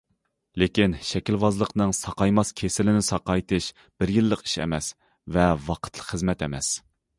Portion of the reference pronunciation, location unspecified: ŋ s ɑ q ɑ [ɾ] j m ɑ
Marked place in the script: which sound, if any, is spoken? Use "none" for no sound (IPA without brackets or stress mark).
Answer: none